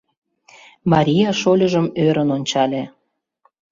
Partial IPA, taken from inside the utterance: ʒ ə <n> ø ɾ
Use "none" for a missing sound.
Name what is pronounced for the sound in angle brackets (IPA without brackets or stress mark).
m